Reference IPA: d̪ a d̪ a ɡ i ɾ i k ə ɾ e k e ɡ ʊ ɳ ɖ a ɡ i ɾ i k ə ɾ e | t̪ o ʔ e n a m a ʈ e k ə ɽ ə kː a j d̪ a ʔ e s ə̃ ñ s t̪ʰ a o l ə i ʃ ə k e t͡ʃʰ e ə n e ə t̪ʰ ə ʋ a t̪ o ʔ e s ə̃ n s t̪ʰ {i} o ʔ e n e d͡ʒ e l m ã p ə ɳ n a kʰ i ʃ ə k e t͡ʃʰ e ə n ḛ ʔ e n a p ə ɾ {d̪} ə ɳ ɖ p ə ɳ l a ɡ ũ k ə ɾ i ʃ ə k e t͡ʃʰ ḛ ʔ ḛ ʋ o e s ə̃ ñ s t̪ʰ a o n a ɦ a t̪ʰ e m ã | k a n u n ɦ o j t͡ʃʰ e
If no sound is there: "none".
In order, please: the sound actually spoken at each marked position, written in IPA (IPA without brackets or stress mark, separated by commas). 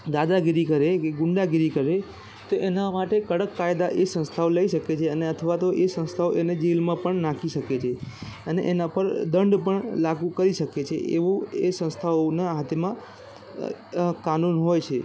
a, d̪